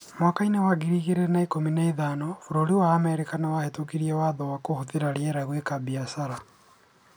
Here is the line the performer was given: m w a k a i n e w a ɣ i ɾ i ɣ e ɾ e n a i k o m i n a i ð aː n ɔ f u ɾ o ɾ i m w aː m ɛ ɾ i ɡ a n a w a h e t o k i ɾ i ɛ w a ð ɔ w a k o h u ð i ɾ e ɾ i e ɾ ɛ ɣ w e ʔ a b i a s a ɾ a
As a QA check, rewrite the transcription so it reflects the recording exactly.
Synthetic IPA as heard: m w a k a i n e w a ɣ i ɾ i ɣ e ɾ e n a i k o m i n a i ð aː n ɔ f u ɾ o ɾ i w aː m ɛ ɾ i k a n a w a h e t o k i ɾ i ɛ w a ð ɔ w a k o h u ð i ɾ a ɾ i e ɾ a ɣ w e k a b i a s a ɾ a